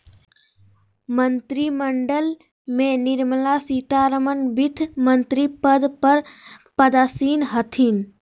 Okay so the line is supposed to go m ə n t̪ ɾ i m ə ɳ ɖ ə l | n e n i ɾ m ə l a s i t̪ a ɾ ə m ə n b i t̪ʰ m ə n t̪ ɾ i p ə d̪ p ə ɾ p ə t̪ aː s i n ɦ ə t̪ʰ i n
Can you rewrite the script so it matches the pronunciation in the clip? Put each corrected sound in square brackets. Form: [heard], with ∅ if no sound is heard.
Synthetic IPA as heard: m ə n t̪ ɾ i m ə ɳ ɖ ə l | [m] e n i ɾ m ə l a s i t̪ a ɾ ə m ə n b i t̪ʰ m ə n t̪ ɾ i p ə d̪ p ə ɾ p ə [d̪] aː s i n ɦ ə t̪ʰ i n